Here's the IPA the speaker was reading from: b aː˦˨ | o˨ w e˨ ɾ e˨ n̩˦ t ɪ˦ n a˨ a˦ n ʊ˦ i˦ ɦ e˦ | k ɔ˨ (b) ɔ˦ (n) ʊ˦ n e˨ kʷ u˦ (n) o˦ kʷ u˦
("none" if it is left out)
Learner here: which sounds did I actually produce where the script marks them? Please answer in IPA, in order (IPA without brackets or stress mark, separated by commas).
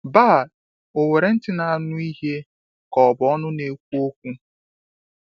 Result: b, n, none